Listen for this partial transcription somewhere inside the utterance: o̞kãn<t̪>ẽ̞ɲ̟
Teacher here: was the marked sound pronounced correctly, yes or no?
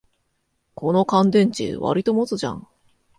no